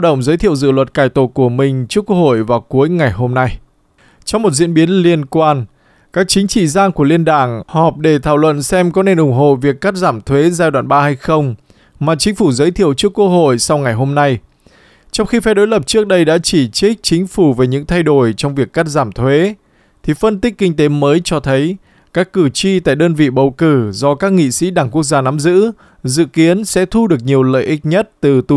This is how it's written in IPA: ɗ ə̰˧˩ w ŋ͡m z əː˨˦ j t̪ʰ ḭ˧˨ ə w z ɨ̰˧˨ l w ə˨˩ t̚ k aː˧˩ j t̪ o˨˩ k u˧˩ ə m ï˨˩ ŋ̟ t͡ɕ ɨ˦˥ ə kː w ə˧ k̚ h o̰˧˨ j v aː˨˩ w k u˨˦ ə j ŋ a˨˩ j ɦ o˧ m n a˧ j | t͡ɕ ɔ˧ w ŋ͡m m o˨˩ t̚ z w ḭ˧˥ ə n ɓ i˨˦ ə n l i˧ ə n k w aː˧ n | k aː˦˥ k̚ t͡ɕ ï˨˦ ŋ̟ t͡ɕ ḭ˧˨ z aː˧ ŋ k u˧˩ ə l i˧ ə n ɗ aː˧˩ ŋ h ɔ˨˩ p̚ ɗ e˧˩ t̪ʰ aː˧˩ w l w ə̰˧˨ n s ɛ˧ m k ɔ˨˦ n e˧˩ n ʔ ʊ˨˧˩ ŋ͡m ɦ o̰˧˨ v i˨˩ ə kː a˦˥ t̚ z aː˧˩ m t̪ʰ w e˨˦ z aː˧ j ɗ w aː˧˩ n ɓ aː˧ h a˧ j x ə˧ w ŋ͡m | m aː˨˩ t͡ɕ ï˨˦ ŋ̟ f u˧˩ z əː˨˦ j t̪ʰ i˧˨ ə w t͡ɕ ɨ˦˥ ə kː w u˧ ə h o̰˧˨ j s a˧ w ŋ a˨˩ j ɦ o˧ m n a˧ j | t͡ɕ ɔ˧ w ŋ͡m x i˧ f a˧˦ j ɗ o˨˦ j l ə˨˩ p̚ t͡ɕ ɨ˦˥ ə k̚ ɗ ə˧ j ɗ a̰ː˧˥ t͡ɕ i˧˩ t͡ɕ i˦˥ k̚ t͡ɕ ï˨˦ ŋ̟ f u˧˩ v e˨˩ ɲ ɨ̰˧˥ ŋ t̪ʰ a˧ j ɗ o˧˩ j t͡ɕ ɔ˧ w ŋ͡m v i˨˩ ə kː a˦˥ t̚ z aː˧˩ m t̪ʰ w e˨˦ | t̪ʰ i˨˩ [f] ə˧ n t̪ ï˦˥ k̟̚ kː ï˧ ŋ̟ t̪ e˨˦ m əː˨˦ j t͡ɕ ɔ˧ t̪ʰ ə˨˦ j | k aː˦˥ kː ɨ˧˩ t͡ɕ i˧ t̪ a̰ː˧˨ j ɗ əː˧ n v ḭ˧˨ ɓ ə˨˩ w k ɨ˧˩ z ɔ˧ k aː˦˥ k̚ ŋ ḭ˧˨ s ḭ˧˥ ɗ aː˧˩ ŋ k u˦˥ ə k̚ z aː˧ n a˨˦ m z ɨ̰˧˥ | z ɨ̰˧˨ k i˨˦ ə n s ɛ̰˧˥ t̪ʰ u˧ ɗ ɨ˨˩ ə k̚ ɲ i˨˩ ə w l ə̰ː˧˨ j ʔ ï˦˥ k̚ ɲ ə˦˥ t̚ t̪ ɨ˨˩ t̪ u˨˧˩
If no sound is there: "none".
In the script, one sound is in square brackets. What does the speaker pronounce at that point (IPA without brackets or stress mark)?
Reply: f